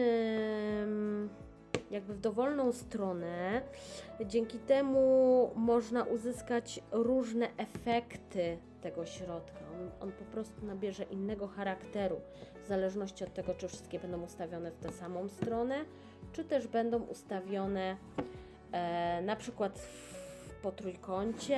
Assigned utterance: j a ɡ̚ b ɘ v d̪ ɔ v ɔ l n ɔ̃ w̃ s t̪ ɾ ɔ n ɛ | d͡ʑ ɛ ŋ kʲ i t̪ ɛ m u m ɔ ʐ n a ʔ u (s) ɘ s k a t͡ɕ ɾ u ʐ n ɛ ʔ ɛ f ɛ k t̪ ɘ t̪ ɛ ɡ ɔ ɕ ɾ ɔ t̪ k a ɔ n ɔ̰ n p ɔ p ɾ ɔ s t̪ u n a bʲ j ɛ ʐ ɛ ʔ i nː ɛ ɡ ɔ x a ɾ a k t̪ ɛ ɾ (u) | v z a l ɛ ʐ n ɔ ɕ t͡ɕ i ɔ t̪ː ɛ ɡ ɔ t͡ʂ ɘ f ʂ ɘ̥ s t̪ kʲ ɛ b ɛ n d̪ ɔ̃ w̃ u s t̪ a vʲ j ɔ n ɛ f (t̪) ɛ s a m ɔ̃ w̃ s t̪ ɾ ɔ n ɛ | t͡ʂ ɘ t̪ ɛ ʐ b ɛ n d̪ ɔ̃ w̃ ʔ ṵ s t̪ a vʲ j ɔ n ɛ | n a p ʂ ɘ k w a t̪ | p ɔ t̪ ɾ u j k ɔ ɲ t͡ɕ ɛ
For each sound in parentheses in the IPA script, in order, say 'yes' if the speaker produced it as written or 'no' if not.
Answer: no, yes, yes

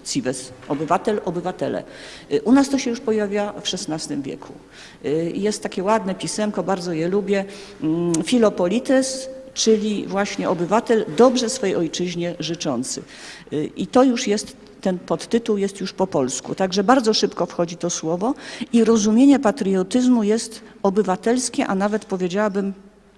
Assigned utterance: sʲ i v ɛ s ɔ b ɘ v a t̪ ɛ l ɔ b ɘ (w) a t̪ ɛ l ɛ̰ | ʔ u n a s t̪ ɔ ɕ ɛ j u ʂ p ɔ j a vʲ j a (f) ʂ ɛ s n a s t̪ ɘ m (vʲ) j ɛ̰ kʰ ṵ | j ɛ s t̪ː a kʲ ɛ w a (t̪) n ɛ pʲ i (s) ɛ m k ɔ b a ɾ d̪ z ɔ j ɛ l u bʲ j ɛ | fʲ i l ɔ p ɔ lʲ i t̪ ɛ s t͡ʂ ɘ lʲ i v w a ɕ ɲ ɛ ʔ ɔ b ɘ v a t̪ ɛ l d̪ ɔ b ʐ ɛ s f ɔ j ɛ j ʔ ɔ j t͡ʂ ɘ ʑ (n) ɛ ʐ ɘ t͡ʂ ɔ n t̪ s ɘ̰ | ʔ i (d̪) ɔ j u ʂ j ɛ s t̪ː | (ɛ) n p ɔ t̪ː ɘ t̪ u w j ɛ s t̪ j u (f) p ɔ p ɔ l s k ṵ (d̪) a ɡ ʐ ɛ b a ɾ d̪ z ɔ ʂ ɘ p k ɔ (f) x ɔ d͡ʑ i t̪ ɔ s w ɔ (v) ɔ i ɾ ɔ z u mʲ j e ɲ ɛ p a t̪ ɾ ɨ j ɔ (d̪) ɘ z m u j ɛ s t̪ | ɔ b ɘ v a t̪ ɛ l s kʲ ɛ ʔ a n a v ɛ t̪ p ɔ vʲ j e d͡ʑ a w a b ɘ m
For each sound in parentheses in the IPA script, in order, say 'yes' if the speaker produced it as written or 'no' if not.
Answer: no, yes, yes, no, yes, no, no, yes, no, no, yes, yes, no

